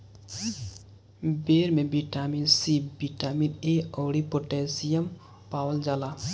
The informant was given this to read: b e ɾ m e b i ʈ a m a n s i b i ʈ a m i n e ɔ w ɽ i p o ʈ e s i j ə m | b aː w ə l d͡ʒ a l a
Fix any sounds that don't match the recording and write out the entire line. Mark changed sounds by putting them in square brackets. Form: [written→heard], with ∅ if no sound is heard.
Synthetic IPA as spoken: b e ɾ m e b i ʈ a m [a→i] n s i b i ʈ a m i n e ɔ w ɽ i p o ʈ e s i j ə m | [b→p] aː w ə l d͡ʒ a l a